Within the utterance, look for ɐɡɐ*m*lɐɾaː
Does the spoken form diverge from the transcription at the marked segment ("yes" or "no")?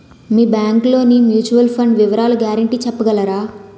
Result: yes